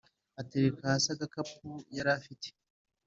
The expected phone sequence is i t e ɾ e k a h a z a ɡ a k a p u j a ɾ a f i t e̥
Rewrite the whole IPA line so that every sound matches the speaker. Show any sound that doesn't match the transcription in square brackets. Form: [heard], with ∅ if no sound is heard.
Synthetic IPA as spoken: [a] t e ɾ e k a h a [s] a ɡ a k a p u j a ɾ a f i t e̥